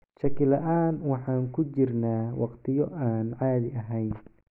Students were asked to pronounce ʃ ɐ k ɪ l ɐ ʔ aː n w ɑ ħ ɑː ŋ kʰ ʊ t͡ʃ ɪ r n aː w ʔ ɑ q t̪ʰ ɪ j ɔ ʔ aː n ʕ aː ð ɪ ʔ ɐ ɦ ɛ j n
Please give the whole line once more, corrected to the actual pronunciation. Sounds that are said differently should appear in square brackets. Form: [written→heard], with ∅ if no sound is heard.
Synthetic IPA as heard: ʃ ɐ k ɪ l ɐ ʔ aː n w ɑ ħ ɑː ŋ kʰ ʊ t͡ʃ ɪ r n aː w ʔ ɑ q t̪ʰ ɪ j ɔ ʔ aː n ʕ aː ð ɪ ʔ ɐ ɦ ɛ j n